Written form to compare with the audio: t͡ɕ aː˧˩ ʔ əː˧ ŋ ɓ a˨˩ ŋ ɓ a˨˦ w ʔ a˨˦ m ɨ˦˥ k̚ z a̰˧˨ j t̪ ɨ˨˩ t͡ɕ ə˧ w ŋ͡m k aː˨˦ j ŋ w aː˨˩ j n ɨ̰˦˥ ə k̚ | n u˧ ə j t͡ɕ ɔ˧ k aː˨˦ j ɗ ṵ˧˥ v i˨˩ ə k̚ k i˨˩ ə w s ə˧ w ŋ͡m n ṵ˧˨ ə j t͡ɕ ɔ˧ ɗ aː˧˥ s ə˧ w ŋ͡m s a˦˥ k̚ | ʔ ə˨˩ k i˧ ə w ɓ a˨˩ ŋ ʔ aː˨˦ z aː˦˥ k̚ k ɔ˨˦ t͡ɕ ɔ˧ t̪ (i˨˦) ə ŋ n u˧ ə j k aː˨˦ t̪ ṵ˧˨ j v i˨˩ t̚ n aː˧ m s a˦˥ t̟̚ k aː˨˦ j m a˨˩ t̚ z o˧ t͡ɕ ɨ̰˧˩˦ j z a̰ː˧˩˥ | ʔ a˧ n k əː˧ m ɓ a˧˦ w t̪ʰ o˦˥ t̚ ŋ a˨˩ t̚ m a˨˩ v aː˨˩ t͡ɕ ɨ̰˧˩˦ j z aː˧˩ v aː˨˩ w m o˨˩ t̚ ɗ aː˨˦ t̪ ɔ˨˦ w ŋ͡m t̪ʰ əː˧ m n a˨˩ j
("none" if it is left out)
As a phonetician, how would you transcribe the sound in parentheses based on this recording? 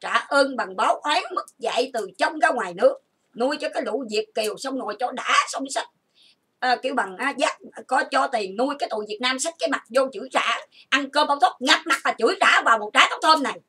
i˨˩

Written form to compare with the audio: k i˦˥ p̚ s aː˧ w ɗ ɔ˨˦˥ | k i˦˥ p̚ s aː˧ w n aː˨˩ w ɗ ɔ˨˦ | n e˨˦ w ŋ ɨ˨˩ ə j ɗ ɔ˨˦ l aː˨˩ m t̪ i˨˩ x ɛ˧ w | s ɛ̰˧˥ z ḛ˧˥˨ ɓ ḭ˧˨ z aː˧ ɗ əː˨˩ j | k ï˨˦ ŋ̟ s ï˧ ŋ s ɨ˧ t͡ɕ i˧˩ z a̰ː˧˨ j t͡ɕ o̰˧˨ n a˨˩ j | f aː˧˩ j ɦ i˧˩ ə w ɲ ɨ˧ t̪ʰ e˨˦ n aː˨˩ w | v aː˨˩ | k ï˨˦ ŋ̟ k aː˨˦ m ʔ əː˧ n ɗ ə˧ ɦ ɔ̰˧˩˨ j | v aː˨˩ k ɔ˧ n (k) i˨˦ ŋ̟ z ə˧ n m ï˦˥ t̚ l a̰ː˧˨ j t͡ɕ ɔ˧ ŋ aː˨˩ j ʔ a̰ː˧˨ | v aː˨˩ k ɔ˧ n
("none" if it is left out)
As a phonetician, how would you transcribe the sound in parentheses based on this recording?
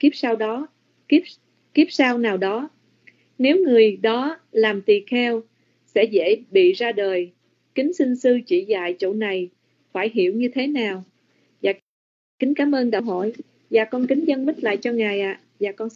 k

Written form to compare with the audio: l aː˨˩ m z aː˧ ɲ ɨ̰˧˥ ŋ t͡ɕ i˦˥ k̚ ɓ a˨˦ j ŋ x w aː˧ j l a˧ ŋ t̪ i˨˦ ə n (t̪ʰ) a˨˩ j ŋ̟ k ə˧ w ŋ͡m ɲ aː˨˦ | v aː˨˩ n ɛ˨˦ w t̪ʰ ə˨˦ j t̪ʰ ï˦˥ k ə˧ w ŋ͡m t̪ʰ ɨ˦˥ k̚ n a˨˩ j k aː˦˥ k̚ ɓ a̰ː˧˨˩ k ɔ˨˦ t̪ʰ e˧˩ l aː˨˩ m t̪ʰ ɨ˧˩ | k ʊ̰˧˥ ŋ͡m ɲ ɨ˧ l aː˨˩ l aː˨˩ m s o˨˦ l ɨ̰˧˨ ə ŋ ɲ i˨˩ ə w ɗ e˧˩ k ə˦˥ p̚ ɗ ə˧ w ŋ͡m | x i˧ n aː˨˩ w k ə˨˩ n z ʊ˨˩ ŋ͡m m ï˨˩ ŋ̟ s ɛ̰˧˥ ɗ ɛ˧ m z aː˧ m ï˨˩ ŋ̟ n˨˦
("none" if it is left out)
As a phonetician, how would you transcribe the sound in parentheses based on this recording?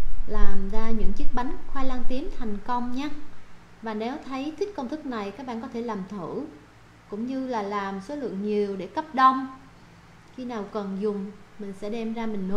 t̪ʰ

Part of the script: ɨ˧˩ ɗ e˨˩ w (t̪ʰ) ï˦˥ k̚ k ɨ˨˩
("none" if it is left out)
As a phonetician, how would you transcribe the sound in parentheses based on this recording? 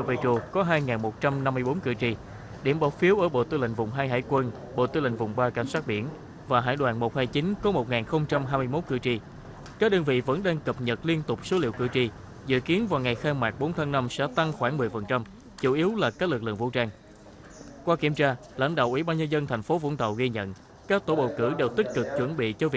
t̪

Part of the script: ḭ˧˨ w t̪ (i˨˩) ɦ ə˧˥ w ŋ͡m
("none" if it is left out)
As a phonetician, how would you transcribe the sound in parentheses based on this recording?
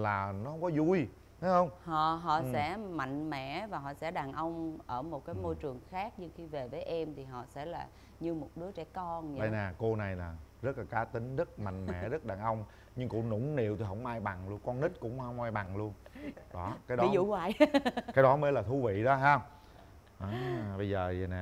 i˨˩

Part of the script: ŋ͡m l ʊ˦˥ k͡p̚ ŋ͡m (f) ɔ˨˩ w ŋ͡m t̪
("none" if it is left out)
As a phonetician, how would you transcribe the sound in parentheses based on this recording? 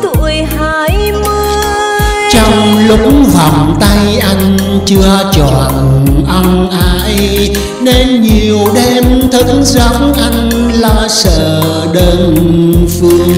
v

